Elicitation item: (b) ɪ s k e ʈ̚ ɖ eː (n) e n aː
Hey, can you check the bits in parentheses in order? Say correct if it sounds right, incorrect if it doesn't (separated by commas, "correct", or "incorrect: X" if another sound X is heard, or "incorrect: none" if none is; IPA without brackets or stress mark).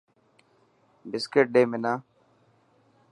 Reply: correct, incorrect: m